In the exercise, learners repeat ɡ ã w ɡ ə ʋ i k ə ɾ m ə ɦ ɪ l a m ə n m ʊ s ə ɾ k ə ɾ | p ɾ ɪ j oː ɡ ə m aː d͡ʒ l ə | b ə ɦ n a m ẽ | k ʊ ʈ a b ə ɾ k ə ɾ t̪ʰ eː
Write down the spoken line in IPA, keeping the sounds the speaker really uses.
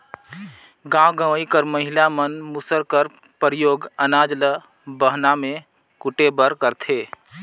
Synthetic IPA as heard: ɡ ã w ɡ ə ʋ i k ə ɾ m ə ɦ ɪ l a m ə n m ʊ s ə ɾ k ə ɾ | p ɾ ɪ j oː ɡ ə n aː d͡ʒ l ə | b ə ɦ n a m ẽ | k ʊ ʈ e b ə ɾ k ə ɾ t̪ʰ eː

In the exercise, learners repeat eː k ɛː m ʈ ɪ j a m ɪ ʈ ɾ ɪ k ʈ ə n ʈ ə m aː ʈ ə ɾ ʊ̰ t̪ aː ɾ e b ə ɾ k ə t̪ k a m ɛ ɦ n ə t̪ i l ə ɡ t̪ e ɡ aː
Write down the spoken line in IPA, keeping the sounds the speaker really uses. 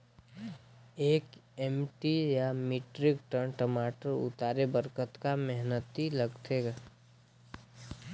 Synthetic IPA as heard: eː k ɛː m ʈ i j a m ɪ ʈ ɾ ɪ k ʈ ə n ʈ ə m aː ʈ ə ɾ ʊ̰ t̪ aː ɾ e b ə ɾ k ə t̪ k a m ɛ ɦ n ə t̪ i l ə ɡ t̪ e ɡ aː

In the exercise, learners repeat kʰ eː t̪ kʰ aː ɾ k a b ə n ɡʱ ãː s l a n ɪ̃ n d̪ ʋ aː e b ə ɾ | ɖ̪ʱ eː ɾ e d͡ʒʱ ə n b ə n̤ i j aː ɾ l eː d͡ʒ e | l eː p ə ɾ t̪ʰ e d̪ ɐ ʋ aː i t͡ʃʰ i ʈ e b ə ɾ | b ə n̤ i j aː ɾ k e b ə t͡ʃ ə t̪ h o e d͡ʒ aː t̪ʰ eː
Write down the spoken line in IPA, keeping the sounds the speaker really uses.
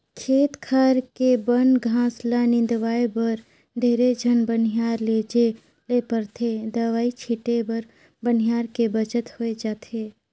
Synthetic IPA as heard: kʰ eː t̪ kʰ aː ɾ k e b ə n ɡʱ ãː s l a n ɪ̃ n d̪ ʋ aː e b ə ɾ | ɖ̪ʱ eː ɾ e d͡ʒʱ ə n b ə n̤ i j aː ɾ l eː d͡ʒ e | l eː p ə ɾ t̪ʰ e d̪ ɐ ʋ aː i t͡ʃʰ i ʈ e b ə ɾ | b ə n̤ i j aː ɾ k e b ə t͡ʃ ə t̪ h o e d͡ʒ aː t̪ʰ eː

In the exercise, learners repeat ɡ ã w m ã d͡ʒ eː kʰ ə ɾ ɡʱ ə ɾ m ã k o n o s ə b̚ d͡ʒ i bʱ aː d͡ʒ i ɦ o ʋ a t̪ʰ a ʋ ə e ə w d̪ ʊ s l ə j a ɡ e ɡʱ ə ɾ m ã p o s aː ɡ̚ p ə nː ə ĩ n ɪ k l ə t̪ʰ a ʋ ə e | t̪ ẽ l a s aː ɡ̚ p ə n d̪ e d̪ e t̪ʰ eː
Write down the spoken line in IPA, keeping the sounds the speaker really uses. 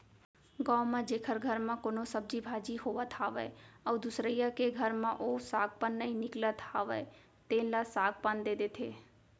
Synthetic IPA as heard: ɡ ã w m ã d͡ʒ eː kʰ ə ɾ ɡʱ ə ɾ m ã k o n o s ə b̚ d͡ʒ i bʱ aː d͡ʒ i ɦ o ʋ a t̪ʰ a ʋ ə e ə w d̪ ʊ s ɾ ə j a k e ɡʱ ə ɾ m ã ʔ o s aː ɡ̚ p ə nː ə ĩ n ɪ k l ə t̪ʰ a ʋ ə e | t̪ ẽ l a s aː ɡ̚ p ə n d̪ e d̪ e t̪ʰ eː

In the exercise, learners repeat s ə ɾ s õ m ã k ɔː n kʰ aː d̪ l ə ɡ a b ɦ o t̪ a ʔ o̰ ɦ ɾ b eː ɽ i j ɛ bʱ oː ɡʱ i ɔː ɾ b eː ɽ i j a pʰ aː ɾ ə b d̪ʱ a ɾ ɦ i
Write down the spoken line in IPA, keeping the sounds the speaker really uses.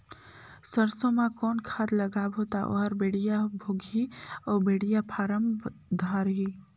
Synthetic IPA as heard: s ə ɾ s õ m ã k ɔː n kʰ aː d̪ l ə ɡ a b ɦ o t̪ a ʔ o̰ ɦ ɾ b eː ɽ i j a bʱ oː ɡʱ i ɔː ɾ b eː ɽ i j a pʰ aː ɾ ə m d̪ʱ a ɾ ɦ i

